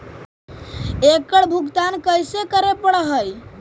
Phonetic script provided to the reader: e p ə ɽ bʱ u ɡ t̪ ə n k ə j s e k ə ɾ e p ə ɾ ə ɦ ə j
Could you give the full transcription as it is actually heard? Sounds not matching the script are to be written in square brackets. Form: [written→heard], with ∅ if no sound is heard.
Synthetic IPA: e [p→k] ə ɽ bʱ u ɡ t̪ [ə→a] n k ə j s e k ə ɾ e p ə [ɾ→ɽ] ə ɦ ə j